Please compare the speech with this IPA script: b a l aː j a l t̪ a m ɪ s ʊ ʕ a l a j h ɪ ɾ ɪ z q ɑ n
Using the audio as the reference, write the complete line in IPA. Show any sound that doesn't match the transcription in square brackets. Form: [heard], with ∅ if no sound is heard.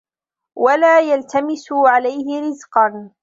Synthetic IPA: [w] a l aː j a l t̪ a m ɪ s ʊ ʕ a l a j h ɪ ɾ ɪ z q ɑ n